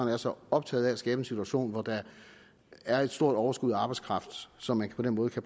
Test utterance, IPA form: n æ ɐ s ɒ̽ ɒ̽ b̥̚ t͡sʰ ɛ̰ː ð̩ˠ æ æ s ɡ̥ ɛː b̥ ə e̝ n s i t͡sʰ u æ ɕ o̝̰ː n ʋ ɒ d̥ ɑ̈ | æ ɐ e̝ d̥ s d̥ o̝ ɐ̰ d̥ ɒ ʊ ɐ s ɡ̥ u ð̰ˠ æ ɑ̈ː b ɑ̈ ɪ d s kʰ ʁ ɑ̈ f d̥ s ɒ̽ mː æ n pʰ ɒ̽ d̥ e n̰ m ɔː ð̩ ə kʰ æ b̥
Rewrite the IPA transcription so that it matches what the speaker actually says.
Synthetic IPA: n æ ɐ s ɒ̽ ɒ̽ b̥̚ t͡sʰ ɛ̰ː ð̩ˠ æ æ s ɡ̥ ɛː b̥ ə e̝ n s i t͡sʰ u æ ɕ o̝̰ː n ʋ ɒ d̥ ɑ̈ | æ ɐ e̝ d̥ s d̥ o̝ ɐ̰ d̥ ɒ ʊ ɐ s ɡ̥ u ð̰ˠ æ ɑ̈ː b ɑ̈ ɪ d s kʰ ʁ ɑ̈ f d̥ s ɒ̽ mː æ n pʰ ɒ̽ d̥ e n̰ m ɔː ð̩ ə kʰ æ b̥